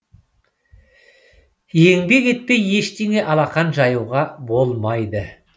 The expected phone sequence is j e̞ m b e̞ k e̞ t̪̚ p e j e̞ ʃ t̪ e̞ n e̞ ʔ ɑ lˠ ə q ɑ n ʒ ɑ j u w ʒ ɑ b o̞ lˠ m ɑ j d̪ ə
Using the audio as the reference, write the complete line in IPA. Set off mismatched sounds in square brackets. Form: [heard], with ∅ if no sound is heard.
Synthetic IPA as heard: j e̞ [ŋ] b e̞ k e̞ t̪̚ p e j e̞ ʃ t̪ e̞ [ŋ] e̞ ʔ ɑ lˠ [ɑ] q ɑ n ʒ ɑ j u w [ʁ] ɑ b o̞ lˠ m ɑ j d̪ ə